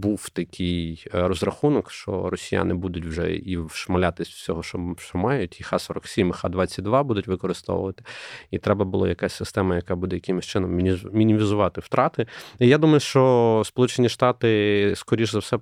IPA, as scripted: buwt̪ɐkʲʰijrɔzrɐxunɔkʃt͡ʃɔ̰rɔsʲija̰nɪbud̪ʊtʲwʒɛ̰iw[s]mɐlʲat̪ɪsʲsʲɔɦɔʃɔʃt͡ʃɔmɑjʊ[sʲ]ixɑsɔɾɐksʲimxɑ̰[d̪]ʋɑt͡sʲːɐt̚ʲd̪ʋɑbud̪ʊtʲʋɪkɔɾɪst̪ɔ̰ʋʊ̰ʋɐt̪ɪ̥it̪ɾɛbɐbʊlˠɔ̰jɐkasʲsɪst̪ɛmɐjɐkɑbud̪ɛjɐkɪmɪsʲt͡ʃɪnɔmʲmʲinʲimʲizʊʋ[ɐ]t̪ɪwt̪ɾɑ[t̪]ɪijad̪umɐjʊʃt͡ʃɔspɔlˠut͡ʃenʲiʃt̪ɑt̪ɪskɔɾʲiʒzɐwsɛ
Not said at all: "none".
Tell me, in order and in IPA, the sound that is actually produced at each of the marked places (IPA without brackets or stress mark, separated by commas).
ʃ, tʲ, d̪, ɑ, t̪